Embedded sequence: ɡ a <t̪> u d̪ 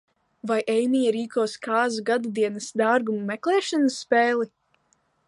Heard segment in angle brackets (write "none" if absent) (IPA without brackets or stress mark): d̪